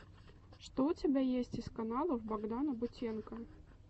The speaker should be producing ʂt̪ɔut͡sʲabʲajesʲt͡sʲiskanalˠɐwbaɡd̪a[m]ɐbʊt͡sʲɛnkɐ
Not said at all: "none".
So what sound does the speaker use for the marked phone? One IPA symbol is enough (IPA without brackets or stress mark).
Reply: n